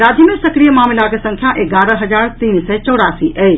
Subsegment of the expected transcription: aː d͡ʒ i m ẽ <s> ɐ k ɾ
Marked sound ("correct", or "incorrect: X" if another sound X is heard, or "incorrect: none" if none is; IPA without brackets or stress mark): correct